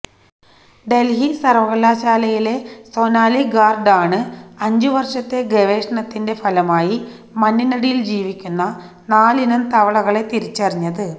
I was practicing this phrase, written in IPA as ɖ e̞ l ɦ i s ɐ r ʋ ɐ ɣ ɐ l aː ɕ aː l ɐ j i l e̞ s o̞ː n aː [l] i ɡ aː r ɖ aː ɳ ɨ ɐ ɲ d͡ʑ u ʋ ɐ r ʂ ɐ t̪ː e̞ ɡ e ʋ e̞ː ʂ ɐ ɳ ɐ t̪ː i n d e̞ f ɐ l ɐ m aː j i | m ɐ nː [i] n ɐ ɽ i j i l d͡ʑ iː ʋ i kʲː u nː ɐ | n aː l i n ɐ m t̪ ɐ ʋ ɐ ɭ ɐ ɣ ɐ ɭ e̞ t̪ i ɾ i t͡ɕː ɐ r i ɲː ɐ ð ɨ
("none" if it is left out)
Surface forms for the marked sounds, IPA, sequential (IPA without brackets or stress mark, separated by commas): l, i